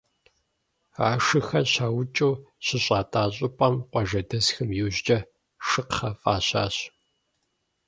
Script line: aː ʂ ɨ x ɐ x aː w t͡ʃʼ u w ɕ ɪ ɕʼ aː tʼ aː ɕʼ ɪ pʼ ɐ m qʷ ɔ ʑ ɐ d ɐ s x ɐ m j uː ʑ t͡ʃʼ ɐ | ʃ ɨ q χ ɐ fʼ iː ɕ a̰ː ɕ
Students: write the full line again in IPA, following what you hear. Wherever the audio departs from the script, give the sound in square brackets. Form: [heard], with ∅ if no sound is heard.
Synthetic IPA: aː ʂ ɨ x ɐ [ɕ] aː w t͡ʃʼ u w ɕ ɪ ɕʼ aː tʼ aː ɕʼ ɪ pʼ ɐ m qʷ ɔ [ʒ] ɐ d ɐ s x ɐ m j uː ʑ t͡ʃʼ ɐ | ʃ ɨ q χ ɐ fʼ [aː] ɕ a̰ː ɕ